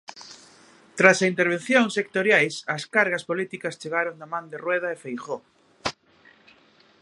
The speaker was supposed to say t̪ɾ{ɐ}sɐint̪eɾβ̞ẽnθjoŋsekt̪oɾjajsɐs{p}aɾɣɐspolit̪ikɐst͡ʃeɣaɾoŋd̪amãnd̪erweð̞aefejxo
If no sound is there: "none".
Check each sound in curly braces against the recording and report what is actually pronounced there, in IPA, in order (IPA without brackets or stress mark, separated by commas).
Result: a, k